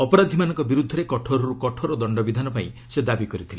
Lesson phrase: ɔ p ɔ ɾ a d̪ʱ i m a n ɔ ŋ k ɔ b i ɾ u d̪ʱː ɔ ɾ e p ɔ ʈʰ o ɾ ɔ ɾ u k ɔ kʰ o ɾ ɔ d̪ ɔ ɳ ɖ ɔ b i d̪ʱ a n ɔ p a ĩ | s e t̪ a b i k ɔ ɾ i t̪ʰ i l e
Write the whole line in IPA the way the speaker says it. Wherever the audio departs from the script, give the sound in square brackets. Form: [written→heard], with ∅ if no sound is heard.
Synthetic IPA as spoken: ɔ p ɔ ɾ a d̪ʱ i m a n ɔ ŋ k ɔ b i ɾ u d̪ʱː ɔ ɾ e [p→k] ɔ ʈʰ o ɾ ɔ ɾ u k ɔ [kʰ→ʈʰ] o ɾ ɔ d̪ ɔ ɳ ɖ ɔ b i d̪ʱ a n ɔ p a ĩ | s e [t̪→d̪] a b i k ɔ ɾ i t̪ʰ i l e

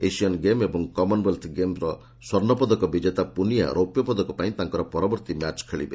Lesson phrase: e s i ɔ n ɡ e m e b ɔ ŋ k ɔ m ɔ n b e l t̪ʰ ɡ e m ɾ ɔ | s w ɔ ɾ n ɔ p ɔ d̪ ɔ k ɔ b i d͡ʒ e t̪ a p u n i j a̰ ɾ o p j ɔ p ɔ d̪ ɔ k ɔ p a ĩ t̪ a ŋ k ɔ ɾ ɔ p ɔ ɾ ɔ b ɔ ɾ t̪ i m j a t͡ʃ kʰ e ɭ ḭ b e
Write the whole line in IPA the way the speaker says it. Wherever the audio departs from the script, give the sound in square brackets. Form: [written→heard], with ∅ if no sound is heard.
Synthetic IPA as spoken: e s i ɔ n ɡ e m e b ɔ ŋ k ɔ m ɔ n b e l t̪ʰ ɡ e m ɾ ɔ | s w ɔ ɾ n ɔ p ɔ d̪ ɔ k ɔ b i d͡ʒ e t̪ a p u n i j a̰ ɾ o p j ɔ p ɔ d̪ ɔ k ɔ p a ĩ t̪ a ŋ k ɔ ɾ ɔ p ɔ ɾ ɔ b ɔ ɾ t̪ i m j a t͡ʃ kʰ e ɭ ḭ b e

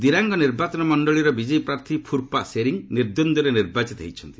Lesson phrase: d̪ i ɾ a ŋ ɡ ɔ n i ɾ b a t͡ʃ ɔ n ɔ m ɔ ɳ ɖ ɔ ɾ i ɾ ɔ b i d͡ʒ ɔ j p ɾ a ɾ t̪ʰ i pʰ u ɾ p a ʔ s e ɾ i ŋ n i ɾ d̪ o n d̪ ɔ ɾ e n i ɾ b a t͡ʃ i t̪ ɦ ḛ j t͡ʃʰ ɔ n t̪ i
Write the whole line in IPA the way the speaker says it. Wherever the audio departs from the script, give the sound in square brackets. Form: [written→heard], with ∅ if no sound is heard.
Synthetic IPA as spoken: d̪ i ɾ a ŋ ɡ ɔ n i ɾ b a t͡ʃ ɔ n ɔ m ɔ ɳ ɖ ɔ [ɾ→ɭ] i ɾ ɔ b i d͡ʒ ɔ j p ɾ a ɾ t̪ʰ i pʰ u ɾ p a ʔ s e ɾ i ŋ n i ɾ d̪ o n d̪ ɔ ɾ e n i ɾ b a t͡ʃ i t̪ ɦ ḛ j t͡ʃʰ ɔ n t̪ i

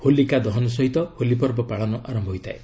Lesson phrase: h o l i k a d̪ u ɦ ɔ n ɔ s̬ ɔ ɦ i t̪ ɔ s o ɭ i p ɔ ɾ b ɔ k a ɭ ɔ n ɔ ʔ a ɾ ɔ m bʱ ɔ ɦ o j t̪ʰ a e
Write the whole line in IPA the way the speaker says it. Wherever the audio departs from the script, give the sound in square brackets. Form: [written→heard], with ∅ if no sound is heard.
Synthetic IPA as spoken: h o l i k a d̪ [u→ɔ] ɦ ɔ n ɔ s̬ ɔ ɦ i t̪ ɔ [s→h] o [ɭ→l] i p ɔ ɾ b ɔ [k→p] a ɭ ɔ n ɔ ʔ a ɾ ɔ m bʱ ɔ ɦ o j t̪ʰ a e

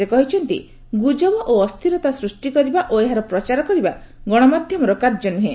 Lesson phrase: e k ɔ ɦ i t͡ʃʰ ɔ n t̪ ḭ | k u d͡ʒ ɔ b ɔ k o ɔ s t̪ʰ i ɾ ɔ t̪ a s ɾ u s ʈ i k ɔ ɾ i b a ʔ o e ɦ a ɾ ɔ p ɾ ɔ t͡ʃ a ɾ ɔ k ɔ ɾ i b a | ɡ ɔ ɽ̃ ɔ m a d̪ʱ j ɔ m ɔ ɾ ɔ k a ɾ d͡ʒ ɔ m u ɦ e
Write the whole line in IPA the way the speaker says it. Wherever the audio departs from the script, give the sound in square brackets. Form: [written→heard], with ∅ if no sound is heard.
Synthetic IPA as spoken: e k ɔ ɦ i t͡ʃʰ ɔ n t̪ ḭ | [k→ɡ] u d͡ʒ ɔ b ɔ [k→ʔ] o ɔ s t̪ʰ i ɾ ɔ t̪ a s ɾ u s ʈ i k ɔ ɾ i b a ʔ o e ɦ a ɾ ɔ p ɾ ɔ t͡ʃ a ɾ ɔ k ɔ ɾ i b a | ɡ ɔ ɽ̃ ɔ m a d̪ʱ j ɔ m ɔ ɾ ɔ k a ɾ d͡ʒ ɔ [m→n] u ɦ e

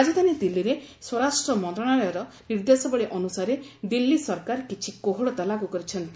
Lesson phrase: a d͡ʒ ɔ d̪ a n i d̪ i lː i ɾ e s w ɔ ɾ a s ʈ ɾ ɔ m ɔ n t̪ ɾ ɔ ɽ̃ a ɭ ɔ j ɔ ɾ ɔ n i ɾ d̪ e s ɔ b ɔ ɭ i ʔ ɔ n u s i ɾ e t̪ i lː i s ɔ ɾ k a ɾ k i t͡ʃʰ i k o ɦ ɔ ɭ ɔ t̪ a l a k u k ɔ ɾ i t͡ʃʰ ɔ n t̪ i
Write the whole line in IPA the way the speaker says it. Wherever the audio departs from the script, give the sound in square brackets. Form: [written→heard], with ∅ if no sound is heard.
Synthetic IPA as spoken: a d͡ʒ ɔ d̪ a n i d̪ i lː i ɾ e s w ɔ ɾ a s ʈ ɾ ɔ m ɔ n t̪ ɾ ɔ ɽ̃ a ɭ ɔ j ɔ ɾ ɔ n i ɾ d̪ e s ɔ b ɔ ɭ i ʔ ɔ n u s [i→a] ɾ e [t̪→d̪] i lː i s ɔ ɾ k a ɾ k i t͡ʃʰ i k o ɦ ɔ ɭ ɔ t̪ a l a k u k ɔ ɾ i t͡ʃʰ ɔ n t̪ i

